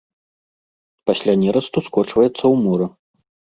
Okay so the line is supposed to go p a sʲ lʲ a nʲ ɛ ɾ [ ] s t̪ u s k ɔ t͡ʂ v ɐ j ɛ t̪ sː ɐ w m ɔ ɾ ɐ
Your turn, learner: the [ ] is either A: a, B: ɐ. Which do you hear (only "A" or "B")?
B